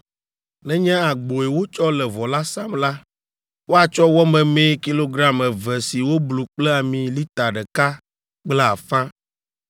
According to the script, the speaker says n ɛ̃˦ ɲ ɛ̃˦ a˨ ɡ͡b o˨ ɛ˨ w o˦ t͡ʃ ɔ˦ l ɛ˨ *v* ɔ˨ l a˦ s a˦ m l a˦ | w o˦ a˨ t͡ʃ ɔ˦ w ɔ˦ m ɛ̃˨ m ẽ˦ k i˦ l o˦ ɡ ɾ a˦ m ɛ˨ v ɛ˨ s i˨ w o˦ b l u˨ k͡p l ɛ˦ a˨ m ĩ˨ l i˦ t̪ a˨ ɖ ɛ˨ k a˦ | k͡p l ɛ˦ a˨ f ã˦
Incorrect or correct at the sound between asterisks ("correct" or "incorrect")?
correct